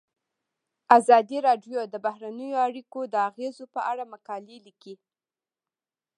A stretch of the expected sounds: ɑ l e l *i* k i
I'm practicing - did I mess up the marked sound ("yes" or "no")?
no